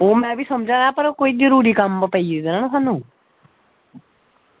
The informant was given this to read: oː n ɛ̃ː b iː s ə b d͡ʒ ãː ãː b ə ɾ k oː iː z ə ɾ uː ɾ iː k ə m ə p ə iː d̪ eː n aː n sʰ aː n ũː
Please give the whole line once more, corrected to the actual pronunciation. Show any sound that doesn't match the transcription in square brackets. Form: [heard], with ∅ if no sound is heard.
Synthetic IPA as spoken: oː [m] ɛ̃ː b iː s ə [m] d͡ʒ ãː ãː [p] ə ɾ k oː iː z ə ɾ uː ɾ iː k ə m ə p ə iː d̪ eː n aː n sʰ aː n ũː